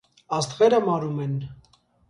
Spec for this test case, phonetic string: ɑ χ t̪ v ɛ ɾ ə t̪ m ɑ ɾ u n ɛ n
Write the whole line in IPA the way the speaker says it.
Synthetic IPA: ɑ s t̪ ʁ ɛ ɾ ə m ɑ ɾ u m ɛ n